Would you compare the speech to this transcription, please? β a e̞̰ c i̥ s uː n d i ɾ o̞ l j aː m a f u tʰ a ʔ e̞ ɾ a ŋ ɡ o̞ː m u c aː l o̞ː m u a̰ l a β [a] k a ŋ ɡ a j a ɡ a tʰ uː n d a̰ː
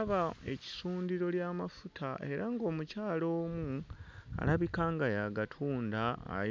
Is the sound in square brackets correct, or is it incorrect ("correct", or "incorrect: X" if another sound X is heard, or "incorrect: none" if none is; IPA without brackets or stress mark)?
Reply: incorrect: i